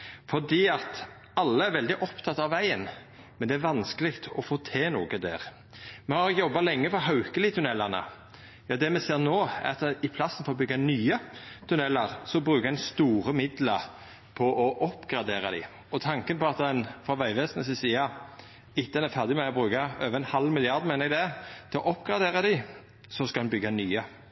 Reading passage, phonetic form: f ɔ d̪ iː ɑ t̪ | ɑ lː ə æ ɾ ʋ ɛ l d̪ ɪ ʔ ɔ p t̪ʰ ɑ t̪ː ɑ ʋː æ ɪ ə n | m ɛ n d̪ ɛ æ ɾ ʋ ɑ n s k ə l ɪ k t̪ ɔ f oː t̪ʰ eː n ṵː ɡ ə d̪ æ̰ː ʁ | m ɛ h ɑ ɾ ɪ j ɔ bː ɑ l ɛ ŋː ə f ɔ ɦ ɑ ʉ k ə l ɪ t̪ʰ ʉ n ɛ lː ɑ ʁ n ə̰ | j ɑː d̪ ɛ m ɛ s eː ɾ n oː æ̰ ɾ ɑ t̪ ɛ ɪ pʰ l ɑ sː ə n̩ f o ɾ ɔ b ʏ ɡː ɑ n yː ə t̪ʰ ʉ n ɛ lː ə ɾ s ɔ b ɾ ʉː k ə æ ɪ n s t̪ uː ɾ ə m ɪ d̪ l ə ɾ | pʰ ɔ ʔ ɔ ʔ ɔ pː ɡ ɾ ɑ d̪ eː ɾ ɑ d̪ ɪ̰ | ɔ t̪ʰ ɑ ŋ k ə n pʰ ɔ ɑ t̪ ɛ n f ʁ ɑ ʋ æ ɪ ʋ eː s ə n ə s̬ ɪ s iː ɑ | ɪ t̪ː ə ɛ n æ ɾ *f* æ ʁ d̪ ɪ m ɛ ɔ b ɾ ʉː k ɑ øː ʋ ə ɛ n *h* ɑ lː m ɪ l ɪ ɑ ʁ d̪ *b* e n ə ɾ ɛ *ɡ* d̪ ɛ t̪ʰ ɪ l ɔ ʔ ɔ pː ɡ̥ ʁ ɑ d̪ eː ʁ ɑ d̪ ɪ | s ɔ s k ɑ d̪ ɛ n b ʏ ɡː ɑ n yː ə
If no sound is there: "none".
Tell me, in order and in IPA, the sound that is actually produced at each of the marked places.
f, h, m, ɡ

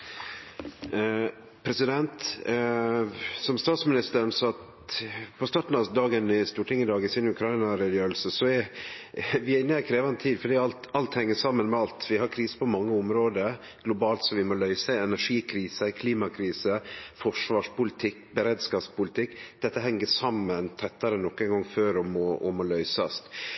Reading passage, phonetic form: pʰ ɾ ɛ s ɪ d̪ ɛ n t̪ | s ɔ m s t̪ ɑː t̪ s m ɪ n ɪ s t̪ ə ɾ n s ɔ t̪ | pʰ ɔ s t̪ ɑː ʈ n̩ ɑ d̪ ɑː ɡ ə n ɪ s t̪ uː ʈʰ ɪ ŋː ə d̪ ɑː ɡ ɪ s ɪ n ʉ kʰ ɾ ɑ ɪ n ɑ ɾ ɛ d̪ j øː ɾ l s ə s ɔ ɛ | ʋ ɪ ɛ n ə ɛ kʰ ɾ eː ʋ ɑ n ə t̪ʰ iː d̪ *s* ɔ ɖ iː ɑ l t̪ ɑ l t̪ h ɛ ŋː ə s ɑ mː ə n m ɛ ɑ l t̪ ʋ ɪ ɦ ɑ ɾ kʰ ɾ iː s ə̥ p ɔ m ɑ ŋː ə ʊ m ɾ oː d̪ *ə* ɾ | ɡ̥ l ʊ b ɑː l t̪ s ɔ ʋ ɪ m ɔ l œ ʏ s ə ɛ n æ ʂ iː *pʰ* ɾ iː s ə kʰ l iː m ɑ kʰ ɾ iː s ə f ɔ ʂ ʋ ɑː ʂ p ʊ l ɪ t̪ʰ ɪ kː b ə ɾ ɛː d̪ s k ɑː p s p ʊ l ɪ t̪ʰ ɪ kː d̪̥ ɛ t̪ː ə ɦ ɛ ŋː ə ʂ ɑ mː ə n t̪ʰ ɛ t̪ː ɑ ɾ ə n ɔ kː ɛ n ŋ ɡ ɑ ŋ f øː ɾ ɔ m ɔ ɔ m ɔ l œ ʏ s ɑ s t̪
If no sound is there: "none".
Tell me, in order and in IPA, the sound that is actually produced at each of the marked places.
f, ə, kʰ

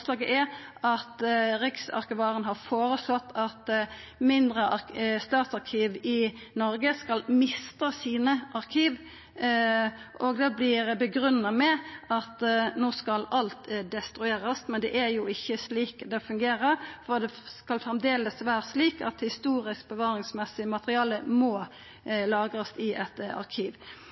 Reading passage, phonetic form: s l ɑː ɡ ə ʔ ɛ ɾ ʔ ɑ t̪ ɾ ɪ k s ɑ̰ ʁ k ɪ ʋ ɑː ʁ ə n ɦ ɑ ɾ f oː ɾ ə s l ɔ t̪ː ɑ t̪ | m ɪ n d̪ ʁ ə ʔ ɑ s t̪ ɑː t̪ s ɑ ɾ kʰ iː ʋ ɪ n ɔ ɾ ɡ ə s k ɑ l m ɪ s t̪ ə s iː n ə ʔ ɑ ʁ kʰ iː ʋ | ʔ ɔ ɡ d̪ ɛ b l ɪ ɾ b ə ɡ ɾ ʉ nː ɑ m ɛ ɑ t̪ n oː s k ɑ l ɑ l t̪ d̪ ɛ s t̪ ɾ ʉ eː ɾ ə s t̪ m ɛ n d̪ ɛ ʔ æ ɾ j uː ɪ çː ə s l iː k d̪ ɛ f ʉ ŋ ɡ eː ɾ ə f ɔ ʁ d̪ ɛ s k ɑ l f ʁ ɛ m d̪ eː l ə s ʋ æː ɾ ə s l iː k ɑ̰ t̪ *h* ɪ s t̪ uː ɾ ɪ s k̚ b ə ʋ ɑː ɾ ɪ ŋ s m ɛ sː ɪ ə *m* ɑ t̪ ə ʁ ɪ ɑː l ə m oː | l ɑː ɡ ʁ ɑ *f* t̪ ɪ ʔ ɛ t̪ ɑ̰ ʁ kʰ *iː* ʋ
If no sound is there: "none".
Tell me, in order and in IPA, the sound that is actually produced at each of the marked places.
h, m, s, iː

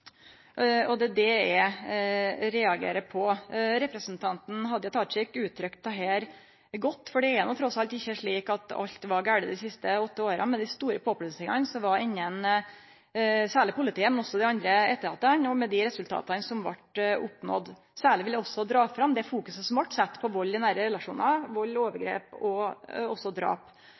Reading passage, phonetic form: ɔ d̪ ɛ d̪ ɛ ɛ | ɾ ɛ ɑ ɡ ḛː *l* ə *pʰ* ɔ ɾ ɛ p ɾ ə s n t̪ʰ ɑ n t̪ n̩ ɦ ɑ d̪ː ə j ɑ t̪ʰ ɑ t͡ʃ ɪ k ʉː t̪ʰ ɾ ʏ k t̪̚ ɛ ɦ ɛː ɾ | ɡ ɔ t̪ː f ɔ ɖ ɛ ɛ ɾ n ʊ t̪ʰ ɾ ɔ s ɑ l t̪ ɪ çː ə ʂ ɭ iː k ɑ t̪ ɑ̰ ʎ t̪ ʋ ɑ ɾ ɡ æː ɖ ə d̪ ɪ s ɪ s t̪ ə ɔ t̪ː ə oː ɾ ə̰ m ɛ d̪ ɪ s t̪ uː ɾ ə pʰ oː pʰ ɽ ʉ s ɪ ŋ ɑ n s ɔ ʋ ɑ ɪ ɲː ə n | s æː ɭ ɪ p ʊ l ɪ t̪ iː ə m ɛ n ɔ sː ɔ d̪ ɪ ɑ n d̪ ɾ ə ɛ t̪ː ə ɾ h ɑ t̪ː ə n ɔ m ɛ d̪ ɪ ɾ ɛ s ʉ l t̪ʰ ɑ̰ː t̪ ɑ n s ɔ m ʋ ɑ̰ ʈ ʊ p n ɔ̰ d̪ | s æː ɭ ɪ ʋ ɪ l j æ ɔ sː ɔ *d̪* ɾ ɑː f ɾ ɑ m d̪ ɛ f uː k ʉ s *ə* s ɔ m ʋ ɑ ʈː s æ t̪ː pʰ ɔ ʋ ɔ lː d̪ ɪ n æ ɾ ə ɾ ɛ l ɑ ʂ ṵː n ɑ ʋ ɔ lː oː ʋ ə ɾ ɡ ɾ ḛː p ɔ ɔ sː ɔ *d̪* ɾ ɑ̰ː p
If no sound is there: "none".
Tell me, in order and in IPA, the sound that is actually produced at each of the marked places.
ɾ, pʰ, d̪, ə, d̪

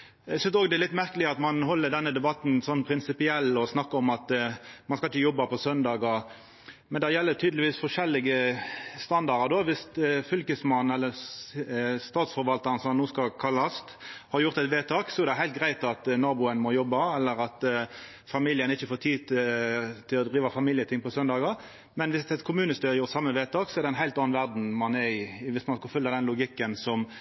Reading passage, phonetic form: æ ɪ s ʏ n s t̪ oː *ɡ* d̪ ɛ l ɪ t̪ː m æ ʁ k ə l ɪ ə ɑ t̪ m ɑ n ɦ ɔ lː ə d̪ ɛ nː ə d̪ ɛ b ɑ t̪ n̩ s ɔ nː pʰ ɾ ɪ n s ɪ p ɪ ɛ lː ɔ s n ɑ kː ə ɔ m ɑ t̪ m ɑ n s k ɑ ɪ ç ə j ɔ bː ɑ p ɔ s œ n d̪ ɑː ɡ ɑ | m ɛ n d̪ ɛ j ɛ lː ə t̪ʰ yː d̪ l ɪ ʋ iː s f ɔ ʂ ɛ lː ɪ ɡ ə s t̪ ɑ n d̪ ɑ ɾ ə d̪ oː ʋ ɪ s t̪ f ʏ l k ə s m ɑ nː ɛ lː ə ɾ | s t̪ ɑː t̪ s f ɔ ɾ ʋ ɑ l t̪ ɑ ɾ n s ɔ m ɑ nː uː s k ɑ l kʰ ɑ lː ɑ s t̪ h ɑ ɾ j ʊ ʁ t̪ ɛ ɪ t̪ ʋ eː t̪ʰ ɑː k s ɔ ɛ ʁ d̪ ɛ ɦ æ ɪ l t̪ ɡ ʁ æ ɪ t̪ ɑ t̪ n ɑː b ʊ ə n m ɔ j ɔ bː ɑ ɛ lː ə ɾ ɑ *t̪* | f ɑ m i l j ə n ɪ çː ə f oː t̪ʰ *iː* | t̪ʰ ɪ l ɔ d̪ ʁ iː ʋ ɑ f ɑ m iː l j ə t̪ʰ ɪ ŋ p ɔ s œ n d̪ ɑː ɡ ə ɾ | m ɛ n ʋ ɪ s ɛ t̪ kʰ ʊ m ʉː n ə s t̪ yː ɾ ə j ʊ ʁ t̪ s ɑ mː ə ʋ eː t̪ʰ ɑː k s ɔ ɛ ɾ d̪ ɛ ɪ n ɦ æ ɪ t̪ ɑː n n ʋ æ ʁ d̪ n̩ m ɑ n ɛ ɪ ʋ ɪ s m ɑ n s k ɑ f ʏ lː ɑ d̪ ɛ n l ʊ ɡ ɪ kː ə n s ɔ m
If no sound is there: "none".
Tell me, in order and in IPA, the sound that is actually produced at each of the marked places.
ɡ, t̪, iː

